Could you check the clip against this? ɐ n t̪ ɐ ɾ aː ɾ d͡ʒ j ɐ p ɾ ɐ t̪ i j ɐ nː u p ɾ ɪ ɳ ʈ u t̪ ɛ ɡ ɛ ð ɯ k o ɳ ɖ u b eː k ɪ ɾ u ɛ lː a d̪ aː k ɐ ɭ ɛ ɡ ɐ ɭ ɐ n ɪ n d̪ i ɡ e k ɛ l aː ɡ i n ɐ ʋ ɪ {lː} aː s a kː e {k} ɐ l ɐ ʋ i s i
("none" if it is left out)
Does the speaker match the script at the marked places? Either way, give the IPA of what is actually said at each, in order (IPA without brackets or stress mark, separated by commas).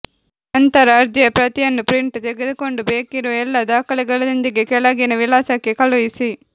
l, k